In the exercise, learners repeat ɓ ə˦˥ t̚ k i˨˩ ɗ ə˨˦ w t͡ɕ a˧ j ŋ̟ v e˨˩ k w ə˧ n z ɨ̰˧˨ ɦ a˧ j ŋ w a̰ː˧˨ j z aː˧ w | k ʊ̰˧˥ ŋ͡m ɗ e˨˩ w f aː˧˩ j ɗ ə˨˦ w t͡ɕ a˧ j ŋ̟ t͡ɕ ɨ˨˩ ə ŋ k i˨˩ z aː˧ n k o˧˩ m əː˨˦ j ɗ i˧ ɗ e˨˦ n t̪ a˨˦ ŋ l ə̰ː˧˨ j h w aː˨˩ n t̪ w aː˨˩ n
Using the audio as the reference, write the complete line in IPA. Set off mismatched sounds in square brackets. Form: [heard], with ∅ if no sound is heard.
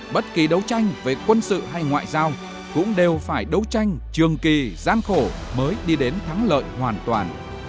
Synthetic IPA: ɓ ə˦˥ t̚ k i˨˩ ɗ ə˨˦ w t͡ɕ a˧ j ŋ̟ v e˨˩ k w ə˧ n [s] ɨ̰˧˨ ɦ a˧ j ŋ w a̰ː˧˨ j z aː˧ w | k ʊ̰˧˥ ŋ͡m ɗ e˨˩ w f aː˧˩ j ɗ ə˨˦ w t͡ɕ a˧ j ŋ̟ t͡ɕ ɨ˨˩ ə ŋ k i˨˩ z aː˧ n [x] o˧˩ m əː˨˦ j ɗ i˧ ɗ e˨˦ n [t̪ʰ] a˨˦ ŋ l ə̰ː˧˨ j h w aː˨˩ n t̪ w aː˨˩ n